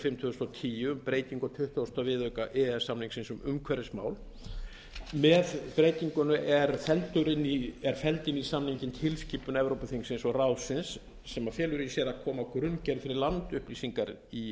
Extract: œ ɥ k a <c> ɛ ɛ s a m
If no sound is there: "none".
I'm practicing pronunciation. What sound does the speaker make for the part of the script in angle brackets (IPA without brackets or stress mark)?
ʔ